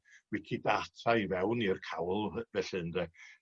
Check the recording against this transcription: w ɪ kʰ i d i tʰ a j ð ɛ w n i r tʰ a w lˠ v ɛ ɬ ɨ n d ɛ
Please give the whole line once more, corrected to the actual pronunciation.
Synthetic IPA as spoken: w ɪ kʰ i d a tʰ a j v ɛ w n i r kʰ a w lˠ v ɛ ɬ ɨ n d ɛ

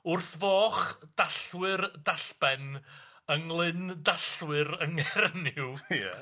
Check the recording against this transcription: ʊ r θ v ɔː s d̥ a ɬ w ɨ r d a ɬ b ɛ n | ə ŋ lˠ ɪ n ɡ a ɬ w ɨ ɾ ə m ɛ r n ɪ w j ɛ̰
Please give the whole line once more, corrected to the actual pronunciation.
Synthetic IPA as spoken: ʊ r θ v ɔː χ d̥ a ɬ w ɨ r d a ɬ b ɛ n | ə ŋ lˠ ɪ n d a ɬ w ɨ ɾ ə ŋ ɛ r n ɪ w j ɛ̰

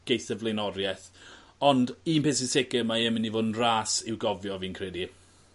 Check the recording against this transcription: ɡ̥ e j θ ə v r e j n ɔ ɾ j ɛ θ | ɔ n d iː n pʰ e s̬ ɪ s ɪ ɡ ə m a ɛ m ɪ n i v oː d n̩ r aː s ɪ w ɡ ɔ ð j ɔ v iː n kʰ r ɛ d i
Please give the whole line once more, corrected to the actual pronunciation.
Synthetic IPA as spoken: ɡ̥ e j θ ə v l e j n ɔ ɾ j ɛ θ | ɔ n d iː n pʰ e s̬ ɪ s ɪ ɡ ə m a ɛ m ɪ n i v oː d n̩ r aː s ɪ w ɡ ɔ v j ɔ v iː n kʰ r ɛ d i

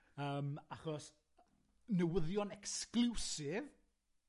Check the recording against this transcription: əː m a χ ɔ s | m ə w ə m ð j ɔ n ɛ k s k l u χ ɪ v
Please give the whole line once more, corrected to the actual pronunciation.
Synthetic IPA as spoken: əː m a χ ɔ s | n ə w ə ð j ɔ n ɛ k s k l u s ɪ v

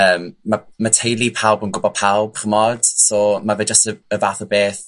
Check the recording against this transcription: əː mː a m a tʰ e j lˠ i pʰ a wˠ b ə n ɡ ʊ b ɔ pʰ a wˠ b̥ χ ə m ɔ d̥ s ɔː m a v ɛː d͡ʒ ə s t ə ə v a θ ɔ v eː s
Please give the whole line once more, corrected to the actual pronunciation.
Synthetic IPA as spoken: əː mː a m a tʰ e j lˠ i pʰ a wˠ b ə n ɡ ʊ b ɔ pʰ a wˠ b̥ χ ə m ɔ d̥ s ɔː m a v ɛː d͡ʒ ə s t ə ə v a θ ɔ b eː θ

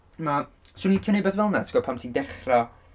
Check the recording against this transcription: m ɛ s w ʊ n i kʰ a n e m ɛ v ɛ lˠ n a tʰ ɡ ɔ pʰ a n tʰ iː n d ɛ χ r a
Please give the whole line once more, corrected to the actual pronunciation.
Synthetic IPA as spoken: m a s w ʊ n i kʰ ə n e b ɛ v ɛ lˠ n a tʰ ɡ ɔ pʰ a m tʰ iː n d ɛ χ r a

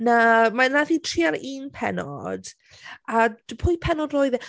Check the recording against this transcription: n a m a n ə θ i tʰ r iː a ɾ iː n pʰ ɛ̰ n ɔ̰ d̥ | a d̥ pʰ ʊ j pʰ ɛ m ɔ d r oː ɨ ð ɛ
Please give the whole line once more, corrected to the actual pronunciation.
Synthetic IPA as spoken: n a m a n a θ i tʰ r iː a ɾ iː n pʰ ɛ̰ n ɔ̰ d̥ | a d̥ pʰ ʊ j pʰ ɛ n ɔ d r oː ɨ ð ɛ

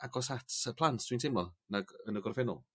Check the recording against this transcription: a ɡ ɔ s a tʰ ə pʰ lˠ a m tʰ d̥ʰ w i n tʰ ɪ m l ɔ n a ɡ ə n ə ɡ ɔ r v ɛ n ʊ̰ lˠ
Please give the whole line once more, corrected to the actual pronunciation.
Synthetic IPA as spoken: a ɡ ɔ s a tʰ ə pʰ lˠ a n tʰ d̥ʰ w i n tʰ ɪ m l ɔ n a ɡ ə n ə ɡ ɔ r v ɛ n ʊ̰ lˠ

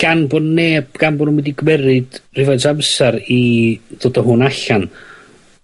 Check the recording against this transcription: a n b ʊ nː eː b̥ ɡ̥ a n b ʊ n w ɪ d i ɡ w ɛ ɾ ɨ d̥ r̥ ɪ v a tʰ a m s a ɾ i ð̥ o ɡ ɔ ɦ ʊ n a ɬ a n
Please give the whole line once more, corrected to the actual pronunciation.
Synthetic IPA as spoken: a n b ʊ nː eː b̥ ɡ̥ a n b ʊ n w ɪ d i ɡ w ɛ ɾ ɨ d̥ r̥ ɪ v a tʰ a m s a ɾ i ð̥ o d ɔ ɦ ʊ n a ɬ a n

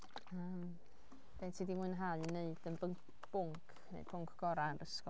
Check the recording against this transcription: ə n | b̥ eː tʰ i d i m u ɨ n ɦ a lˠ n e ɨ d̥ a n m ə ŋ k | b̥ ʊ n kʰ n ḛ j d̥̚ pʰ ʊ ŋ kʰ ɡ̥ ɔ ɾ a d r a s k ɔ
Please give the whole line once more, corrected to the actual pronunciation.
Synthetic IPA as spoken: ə m | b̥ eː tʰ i d i m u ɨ n ɦ a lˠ n e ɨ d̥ ə n b ə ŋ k | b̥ ʊ ŋ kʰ n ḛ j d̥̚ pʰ ʊ ŋ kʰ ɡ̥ ɔ ɾ a n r ə s k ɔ

